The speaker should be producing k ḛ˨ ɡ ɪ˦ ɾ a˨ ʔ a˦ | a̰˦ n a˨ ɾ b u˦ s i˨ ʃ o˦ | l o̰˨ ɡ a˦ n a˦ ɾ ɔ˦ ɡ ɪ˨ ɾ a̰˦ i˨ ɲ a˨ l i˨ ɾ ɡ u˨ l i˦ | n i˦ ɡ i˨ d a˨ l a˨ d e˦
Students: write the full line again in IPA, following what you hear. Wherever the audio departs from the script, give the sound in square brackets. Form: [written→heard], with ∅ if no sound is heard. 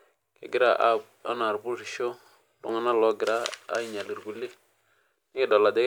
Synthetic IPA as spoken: k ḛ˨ ɡ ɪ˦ ɾ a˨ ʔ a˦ | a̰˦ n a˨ ɾ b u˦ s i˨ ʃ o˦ | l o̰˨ [ɡ→ŋ] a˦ n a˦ [ɾ→l] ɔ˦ ɡ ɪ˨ ɾ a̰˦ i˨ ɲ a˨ l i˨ ɾ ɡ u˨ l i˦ | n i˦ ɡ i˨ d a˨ l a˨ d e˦